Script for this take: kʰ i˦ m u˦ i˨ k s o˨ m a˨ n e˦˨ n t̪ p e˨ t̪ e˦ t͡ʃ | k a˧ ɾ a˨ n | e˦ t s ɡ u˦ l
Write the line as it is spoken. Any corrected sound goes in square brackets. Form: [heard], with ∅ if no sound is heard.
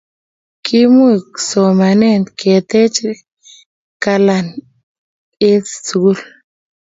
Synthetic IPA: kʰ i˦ m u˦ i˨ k s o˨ m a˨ n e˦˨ n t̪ [k] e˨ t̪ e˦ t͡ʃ | k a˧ [l] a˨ n | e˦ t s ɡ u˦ l

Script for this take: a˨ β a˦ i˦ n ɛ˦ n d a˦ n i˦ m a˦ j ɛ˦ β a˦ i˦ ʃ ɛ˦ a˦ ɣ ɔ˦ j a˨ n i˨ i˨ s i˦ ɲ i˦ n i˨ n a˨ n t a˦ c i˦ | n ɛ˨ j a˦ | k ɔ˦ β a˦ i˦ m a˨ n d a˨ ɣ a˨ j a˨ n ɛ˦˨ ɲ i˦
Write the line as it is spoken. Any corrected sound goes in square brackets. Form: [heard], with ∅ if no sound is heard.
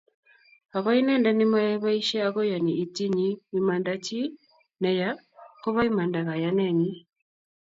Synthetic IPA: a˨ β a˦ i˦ n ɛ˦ n d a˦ n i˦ m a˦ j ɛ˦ β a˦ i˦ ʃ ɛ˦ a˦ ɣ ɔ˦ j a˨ n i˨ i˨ [t] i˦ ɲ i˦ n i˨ [m] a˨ n [d] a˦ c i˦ | n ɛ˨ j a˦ | k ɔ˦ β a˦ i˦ m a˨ n d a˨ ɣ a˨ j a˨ n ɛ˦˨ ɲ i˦

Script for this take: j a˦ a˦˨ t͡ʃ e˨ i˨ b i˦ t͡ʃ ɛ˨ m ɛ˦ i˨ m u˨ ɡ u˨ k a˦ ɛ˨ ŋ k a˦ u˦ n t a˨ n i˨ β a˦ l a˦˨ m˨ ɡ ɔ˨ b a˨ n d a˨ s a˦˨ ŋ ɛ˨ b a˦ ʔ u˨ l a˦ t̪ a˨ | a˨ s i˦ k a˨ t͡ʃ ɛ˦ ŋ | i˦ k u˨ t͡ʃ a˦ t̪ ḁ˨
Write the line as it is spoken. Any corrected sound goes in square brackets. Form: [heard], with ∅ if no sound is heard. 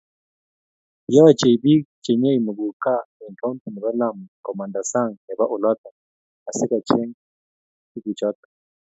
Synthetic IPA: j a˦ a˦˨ t͡ʃ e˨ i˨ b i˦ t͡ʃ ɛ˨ [ɲ] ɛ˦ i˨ m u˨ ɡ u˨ k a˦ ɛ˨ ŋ k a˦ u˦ n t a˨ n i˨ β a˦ l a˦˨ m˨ [k] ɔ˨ [m] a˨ n d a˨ s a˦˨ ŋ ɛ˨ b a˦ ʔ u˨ l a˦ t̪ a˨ | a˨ s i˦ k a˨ t͡ʃ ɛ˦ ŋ | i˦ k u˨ t͡ʃ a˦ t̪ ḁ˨

